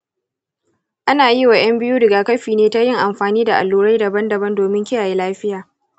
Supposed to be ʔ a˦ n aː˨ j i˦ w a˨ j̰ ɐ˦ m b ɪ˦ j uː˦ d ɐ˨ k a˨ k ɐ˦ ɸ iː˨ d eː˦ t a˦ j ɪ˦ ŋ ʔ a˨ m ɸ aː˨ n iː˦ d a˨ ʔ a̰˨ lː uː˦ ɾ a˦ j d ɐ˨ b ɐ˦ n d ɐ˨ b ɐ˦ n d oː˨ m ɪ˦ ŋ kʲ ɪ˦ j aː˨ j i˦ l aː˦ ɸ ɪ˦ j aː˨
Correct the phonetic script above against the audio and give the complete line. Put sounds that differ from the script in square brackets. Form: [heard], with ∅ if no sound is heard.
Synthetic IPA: ʔ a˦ n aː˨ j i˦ w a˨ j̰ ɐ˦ m b ɪ˦ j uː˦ d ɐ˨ [ɡ] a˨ k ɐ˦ ɸ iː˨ [n] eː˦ t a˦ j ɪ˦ ŋ ʔ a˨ m ɸ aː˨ n iː˦ d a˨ ʔ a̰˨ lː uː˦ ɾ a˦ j d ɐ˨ b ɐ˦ n d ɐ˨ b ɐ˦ n d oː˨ m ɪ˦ ŋ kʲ ɪ˦ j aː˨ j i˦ l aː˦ ɸ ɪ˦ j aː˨